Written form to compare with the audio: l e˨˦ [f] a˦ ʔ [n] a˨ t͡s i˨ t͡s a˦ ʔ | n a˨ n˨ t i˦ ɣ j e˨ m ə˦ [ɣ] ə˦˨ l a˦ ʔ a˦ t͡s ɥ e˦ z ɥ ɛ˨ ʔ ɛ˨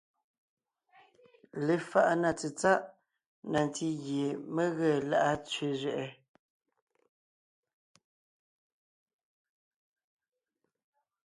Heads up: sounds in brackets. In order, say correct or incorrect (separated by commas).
correct, correct, correct